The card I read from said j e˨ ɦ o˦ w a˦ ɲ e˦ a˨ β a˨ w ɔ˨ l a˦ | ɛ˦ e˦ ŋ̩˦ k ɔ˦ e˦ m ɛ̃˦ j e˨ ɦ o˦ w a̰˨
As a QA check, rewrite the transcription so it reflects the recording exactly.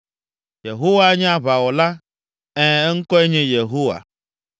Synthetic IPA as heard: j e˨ ɦ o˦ w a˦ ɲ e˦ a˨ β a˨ w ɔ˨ l a˦ | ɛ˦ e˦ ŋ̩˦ k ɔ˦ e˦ ɲ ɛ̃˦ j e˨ ɦ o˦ w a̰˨